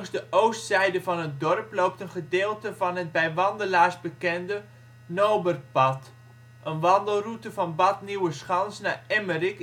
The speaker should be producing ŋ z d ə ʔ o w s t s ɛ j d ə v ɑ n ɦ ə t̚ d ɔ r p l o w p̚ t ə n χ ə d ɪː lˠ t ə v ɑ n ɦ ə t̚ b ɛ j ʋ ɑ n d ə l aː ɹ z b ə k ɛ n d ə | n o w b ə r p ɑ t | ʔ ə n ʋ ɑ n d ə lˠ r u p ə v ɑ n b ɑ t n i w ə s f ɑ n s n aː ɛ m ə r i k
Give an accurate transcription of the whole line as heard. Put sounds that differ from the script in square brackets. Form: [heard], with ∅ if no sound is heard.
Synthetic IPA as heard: ŋ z d ə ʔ o w s t s ɛ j d ə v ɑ n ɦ ə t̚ d ɔ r p l o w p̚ t ə n χ ə d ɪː lˠ t ə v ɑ n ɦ ə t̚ b ɛ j ʋ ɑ n d ə l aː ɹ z b ə k ɛ n d ə | n o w b ə r p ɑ t | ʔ ə n ʋ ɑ n d ə lˠ r u [t] ə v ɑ n b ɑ t n i w ə s [χ] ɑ n s n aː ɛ m ə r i k